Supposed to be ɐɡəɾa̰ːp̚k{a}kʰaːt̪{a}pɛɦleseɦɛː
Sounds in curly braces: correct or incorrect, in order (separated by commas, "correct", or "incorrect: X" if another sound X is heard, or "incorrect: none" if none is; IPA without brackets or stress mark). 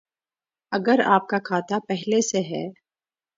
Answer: correct, correct